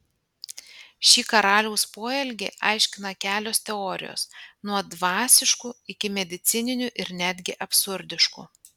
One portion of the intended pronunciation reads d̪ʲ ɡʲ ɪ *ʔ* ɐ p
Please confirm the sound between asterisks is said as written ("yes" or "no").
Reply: yes